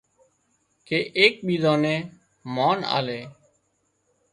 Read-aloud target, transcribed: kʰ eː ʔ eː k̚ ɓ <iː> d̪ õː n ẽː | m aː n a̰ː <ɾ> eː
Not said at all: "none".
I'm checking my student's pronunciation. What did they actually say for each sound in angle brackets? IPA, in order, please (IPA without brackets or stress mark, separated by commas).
iː, l